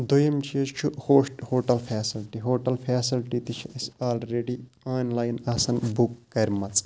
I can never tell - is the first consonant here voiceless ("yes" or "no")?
no